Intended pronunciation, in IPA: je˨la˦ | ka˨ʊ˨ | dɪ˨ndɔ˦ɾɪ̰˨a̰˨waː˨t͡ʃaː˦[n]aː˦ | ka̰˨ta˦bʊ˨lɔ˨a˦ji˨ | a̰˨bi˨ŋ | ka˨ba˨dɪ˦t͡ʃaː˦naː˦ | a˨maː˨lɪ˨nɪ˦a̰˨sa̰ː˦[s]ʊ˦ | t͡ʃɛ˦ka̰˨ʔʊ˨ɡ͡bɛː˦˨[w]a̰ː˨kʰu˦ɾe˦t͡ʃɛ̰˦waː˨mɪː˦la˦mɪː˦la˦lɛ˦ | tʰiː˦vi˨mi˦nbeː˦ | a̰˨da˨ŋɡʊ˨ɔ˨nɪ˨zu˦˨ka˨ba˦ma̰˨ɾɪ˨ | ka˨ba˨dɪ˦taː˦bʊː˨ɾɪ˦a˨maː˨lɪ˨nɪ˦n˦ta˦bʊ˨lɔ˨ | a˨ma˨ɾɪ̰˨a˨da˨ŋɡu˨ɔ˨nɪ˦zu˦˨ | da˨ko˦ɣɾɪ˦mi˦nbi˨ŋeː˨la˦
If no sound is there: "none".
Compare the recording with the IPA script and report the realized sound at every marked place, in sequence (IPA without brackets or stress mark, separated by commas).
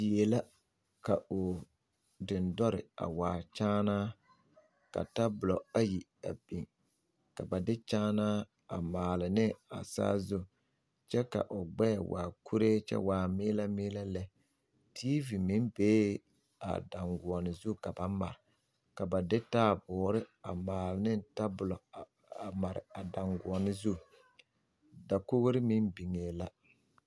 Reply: n, z, w